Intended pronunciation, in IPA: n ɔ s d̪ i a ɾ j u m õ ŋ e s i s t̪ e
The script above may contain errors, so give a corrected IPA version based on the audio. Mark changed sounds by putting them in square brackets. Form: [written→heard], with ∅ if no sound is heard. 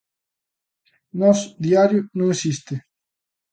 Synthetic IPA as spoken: n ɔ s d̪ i a ɾ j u [m→n] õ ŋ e s i s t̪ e